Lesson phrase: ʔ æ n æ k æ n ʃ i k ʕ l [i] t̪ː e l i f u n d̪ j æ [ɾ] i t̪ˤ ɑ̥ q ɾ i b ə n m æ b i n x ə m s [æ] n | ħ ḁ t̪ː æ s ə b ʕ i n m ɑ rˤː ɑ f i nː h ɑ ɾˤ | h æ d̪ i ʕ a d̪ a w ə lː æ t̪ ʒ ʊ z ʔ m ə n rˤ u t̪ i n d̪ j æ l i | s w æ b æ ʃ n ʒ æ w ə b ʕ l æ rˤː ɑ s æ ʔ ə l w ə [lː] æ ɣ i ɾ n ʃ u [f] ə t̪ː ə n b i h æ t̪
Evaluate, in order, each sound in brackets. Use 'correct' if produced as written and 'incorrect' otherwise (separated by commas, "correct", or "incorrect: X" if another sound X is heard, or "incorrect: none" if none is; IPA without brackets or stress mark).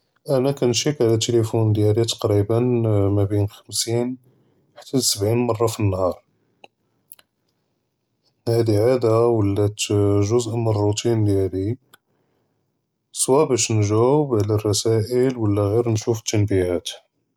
incorrect: æ, incorrect: l, incorrect: i, correct, correct